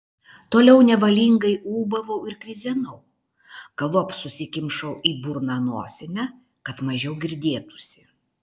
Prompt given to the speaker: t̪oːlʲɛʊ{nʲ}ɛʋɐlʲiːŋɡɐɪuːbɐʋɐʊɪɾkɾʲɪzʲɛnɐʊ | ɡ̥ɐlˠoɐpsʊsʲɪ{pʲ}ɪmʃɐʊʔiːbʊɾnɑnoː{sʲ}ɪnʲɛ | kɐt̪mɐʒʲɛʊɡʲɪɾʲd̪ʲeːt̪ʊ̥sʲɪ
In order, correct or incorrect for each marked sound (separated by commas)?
correct, incorrect, correct